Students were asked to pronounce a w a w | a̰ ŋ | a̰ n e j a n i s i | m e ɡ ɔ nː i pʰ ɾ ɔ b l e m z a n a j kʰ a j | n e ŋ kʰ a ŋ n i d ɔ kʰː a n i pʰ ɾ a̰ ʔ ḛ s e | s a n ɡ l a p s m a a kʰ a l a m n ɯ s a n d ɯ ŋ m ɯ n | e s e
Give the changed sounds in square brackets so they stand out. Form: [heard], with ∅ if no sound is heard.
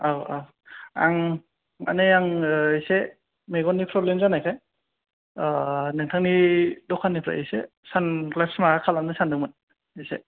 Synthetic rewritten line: a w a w | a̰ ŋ | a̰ n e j a [ŋ] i s [e] | m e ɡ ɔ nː i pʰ ɾ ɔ b l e m z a n a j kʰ a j | n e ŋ [tʰ] a ŋ n i d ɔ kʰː a n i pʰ ɾ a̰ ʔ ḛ s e | s a n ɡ l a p s m a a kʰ a l a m n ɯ s a n d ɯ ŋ m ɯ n | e s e